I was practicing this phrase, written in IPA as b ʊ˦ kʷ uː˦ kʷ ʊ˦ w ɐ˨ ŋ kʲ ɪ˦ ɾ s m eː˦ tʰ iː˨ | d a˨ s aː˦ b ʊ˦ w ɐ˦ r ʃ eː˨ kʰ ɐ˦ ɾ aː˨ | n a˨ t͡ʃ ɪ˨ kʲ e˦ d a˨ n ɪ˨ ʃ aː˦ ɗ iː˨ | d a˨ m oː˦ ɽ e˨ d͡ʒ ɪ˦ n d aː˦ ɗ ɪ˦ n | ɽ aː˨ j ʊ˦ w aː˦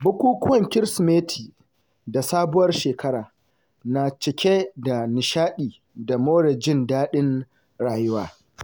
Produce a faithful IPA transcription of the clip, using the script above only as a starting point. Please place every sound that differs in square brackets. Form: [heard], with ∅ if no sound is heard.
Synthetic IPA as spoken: b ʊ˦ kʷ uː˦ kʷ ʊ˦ w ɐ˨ ŋ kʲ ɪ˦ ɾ s m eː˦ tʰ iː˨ | d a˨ s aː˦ b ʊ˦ w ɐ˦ r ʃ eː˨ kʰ ɐ˦ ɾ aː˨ | n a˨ t͡ʃ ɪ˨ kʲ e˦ d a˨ n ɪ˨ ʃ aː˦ ɗ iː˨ | d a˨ m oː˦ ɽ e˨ d͡ʒ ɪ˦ n d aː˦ ɗ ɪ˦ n | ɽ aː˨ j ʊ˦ w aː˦